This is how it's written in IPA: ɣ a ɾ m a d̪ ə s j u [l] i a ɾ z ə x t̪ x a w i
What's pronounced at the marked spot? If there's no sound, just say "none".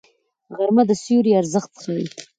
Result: ɾ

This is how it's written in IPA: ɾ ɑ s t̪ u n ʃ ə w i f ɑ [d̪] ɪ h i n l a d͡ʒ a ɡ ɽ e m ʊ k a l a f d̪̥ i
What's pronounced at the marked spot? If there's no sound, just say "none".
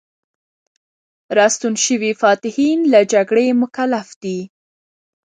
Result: t̪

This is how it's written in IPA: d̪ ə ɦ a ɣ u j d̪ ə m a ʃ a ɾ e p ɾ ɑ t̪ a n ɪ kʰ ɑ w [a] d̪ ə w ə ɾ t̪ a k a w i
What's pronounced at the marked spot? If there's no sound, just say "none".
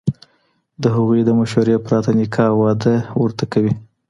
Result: ɑ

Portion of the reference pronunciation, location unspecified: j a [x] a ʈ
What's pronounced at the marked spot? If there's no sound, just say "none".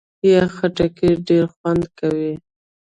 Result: x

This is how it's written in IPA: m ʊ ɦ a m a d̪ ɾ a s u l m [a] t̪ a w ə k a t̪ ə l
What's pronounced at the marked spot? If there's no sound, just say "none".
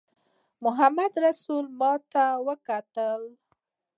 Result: ɑ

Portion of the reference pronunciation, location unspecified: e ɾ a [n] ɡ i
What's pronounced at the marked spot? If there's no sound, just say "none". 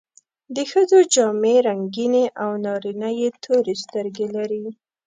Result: ŋ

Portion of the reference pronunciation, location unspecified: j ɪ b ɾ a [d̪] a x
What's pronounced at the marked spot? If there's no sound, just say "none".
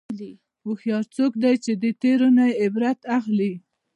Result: t̪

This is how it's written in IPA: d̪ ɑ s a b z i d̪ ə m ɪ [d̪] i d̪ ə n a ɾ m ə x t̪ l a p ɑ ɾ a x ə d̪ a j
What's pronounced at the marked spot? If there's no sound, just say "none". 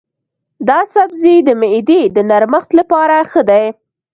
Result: d̪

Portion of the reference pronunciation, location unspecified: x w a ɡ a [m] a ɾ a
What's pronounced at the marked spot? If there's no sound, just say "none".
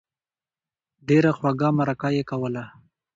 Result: m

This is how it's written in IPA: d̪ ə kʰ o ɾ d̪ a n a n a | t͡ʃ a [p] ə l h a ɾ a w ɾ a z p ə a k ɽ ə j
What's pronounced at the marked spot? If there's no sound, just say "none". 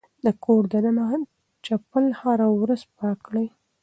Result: p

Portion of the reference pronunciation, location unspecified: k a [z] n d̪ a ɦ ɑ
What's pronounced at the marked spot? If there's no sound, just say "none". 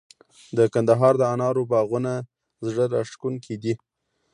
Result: none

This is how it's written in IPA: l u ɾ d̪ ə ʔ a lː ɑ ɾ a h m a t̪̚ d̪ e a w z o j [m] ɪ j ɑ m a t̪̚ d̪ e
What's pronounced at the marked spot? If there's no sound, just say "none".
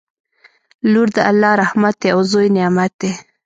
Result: n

